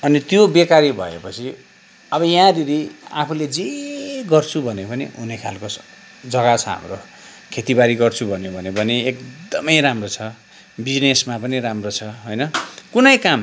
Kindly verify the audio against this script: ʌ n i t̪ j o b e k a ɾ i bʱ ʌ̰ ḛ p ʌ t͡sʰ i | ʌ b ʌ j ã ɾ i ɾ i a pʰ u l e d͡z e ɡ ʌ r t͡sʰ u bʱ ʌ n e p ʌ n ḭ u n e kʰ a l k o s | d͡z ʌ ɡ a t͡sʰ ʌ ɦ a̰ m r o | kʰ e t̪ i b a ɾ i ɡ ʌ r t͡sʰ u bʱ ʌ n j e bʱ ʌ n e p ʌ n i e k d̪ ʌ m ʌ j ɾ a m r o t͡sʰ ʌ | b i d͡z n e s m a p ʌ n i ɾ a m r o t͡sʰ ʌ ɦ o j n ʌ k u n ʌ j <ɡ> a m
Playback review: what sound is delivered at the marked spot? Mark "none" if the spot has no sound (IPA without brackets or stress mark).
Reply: k